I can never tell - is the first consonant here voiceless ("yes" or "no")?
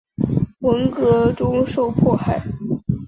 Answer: no